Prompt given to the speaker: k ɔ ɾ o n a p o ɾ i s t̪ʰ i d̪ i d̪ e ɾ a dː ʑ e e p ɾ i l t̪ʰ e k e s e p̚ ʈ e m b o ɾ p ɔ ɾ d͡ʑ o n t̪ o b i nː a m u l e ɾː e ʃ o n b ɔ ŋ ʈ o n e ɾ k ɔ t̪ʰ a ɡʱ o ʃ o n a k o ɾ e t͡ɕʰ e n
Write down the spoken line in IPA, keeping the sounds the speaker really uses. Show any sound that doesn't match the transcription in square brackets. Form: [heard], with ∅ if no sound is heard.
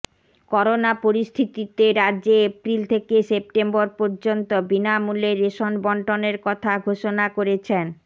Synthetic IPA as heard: k ɔ ɾ o n a p o ɾ i s t̪ʰ i [t̪] i [t̪] e ɾ a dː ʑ e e p ɾ i l t̪ʰ e k e s e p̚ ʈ e m b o ɾ p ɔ ɾ d͡ʑ o n t̪ o b i [n] a m u l e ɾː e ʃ o n b ɔ [ɳ] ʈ o n e ɾ k ɔ t̪ʰ a ɡʱ o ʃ o n a k o ɾ e t͡ɕʰ e n